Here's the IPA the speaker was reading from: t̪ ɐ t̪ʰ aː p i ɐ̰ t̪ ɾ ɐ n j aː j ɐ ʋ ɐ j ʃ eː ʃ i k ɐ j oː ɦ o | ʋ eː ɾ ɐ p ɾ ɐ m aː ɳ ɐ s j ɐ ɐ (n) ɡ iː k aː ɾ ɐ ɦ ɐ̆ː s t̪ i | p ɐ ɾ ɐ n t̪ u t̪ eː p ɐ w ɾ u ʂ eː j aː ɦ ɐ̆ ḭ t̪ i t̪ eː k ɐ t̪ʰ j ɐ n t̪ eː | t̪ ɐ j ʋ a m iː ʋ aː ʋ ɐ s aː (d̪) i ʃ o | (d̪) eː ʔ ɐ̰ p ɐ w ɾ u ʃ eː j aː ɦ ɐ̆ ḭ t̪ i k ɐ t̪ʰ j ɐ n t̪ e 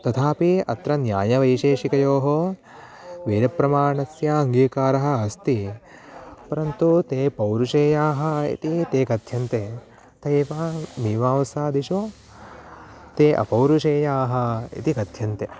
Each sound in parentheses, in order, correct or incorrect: incorrect, correct, incorrect

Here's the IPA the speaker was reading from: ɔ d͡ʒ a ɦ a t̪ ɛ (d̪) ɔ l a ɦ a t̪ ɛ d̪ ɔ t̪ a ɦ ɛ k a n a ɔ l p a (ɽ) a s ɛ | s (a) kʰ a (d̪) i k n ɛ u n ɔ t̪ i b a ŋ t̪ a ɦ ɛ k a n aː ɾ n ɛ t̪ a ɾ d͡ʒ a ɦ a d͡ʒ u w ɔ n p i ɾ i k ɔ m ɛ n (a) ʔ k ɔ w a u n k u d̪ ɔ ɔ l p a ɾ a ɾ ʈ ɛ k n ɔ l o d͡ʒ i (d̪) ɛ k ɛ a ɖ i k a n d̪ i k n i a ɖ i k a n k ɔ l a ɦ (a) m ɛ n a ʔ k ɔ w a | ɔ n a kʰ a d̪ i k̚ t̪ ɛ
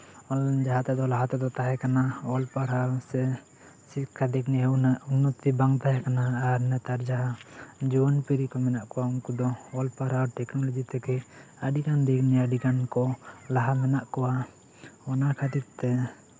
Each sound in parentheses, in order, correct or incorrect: correct, incorrect, incorrect, correct, correct, incorrect, correct

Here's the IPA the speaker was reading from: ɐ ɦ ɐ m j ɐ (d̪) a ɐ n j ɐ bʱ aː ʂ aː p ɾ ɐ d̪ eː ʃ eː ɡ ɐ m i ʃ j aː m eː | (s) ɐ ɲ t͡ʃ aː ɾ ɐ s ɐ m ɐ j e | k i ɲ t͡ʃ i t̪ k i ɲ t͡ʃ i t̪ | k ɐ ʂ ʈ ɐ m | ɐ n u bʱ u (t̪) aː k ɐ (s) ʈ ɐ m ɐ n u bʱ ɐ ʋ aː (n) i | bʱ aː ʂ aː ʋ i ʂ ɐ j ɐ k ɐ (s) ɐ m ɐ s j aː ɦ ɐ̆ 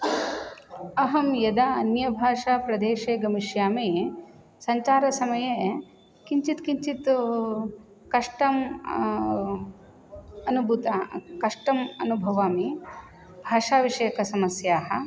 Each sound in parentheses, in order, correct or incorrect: correct, correct, correct, incorrect, incorrect, correct

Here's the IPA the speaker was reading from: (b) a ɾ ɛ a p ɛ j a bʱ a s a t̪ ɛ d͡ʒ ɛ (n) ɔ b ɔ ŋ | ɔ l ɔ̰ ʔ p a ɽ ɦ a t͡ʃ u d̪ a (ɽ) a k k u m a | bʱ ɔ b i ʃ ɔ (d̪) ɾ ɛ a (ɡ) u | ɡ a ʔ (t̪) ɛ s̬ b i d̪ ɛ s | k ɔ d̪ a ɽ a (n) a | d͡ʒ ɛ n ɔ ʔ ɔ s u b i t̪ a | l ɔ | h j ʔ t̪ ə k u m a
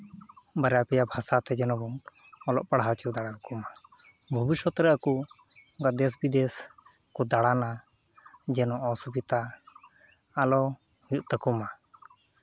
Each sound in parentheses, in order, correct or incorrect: correct, correct, correct, incorrect, incorrect, incorrect, correct

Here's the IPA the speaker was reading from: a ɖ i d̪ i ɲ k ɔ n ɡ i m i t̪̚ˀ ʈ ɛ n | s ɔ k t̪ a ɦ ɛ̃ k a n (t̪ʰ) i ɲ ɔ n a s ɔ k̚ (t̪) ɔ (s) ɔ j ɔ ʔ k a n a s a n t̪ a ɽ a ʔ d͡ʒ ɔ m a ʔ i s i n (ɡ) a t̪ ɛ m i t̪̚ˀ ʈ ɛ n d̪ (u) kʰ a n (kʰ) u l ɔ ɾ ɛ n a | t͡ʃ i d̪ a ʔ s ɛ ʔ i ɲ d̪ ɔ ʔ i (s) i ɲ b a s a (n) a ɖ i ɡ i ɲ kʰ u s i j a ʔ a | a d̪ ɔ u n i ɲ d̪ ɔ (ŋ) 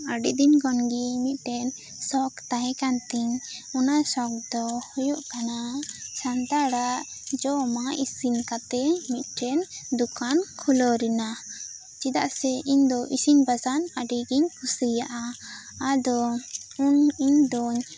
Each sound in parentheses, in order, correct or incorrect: incorrect, incorrect, incorrect, incorrect, correct, correct, correct, correct, incorrect

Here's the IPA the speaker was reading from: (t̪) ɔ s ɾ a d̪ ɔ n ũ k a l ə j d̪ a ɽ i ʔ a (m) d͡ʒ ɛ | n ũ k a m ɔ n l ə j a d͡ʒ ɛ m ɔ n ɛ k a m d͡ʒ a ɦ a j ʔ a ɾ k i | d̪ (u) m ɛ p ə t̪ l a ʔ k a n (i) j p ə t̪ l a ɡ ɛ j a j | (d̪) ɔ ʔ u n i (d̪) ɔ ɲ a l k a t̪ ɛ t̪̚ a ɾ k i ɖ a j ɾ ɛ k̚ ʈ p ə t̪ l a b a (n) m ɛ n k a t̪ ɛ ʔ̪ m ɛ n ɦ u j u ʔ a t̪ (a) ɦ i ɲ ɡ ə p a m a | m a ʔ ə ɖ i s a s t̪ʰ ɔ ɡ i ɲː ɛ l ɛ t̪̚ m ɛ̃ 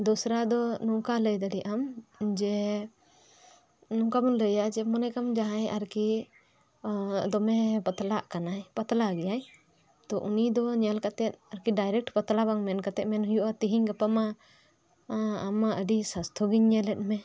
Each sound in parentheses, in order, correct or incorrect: incorrect, correct, incorrect, incorrect, incorrect, correct, incorrect, incorrect

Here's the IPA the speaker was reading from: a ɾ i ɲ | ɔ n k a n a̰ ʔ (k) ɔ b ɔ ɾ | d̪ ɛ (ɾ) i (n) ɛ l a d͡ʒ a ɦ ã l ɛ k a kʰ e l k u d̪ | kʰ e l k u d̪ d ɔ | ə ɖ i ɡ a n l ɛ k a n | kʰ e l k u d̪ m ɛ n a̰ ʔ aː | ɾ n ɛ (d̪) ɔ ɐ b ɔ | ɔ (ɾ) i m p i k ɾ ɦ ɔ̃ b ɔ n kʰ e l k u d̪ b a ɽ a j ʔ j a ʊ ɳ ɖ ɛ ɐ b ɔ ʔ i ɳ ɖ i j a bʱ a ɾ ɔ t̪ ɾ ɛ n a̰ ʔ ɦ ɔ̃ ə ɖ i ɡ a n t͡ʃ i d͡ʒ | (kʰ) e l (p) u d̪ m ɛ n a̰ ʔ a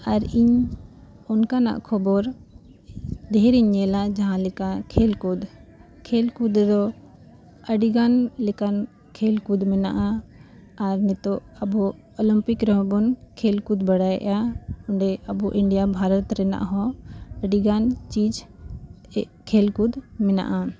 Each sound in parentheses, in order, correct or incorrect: incorrect, correct, incorrect, incorrect, incorrect, correct, incorrect

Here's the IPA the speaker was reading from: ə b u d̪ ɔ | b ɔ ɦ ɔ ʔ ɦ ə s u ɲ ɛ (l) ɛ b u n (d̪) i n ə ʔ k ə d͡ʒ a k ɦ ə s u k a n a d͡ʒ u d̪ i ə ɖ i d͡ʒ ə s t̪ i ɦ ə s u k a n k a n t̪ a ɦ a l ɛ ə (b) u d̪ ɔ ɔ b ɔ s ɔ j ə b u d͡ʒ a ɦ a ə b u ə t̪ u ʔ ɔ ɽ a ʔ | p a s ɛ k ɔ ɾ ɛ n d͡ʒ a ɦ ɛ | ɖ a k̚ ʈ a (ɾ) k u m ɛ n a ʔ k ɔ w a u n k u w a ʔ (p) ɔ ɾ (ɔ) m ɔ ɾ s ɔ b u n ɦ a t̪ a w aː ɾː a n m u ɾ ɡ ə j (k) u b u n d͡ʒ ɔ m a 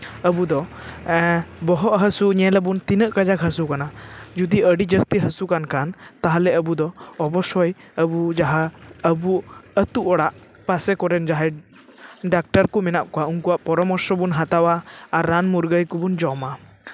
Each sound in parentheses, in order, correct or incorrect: correct, incorrect, correct, correct, correct, correct, correct

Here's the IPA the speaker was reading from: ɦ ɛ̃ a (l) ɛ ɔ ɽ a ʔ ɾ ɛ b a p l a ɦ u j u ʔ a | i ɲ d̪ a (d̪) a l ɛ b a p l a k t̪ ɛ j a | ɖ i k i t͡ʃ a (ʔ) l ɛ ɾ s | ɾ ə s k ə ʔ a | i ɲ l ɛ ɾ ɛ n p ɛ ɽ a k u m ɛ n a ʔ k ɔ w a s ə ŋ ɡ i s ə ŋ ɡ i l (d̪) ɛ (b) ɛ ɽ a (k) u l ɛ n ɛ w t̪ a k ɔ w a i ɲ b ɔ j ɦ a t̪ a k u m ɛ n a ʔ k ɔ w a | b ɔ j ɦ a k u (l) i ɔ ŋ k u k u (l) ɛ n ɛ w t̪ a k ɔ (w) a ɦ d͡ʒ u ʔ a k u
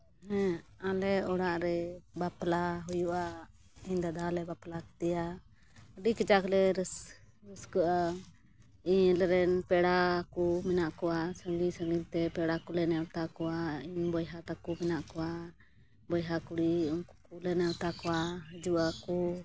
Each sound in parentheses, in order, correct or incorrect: correct, correct, incorrect, incorrect, incorrect, correct, incorrect, correct, correct

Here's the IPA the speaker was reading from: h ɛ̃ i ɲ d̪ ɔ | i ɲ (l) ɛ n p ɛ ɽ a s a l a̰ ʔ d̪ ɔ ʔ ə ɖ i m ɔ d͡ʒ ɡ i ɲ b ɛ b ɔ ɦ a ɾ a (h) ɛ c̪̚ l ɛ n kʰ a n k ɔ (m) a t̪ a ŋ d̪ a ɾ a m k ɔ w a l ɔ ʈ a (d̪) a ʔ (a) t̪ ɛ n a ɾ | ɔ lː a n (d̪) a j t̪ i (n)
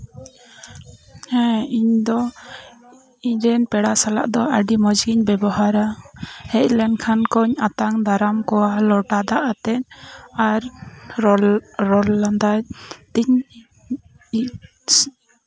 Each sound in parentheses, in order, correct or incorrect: incorrect, correct, incorrect, correct, correct, correct, incorrect

